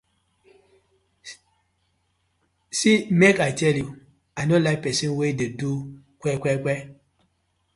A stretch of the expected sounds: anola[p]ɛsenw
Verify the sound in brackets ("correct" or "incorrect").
correct